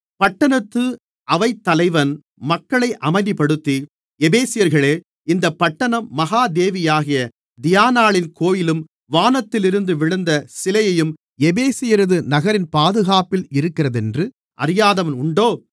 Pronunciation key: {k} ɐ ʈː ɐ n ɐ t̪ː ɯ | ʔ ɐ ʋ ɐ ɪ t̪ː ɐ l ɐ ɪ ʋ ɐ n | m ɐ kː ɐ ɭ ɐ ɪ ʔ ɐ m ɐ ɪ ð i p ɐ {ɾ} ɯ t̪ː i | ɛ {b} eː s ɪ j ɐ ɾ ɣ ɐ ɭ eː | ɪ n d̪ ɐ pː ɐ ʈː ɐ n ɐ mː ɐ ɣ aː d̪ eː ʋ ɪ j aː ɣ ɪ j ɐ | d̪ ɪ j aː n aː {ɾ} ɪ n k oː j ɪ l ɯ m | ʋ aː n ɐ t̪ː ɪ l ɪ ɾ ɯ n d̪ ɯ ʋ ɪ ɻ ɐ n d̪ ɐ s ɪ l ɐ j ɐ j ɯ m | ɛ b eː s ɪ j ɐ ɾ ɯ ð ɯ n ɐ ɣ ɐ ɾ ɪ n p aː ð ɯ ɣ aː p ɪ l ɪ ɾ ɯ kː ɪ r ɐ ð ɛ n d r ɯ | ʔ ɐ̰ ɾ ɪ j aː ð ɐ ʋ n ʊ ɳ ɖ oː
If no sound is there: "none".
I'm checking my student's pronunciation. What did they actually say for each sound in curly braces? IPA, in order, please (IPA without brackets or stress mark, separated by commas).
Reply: p, ɽ, b, ɭ